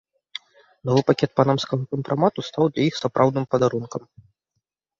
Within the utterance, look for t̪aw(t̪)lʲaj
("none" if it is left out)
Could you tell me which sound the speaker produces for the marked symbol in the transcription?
d̪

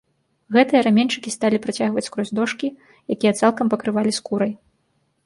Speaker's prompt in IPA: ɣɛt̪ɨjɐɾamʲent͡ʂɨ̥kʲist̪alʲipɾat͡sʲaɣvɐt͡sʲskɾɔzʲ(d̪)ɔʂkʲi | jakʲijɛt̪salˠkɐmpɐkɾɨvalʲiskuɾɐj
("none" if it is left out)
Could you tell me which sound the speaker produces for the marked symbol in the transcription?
d̪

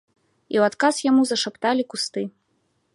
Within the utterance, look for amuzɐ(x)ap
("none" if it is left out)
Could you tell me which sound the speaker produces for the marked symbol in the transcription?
ʂ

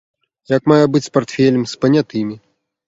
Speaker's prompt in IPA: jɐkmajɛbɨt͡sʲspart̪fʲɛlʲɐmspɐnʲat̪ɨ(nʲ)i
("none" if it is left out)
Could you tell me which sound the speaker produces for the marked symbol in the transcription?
mʲ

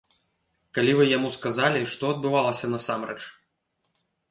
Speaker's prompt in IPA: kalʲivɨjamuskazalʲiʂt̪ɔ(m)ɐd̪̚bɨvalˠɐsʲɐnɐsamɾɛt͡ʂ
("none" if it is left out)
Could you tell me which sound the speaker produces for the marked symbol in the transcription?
none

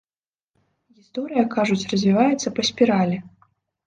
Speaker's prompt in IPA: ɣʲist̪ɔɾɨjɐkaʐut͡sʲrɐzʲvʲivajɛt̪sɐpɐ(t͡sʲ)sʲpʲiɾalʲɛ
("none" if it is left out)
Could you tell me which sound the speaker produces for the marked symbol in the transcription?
none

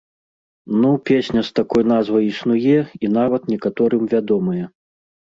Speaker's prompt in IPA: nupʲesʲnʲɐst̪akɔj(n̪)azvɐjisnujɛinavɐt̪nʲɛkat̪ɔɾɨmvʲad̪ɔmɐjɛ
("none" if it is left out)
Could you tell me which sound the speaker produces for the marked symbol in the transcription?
n̪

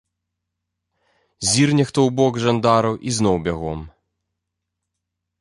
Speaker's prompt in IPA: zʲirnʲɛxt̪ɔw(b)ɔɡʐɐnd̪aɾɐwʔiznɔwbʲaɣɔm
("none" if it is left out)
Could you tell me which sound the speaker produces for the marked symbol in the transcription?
b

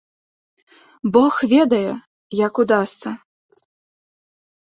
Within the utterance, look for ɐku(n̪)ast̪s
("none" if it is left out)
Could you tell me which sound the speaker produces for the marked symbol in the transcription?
d̪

